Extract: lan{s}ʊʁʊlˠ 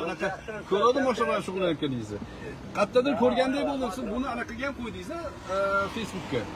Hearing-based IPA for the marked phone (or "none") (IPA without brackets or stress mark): ʃ